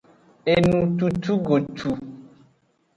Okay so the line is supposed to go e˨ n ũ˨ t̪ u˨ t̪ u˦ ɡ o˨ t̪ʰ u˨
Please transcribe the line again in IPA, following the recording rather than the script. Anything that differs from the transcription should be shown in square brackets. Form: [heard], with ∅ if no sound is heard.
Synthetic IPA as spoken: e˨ n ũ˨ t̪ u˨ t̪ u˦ ɡ o˨ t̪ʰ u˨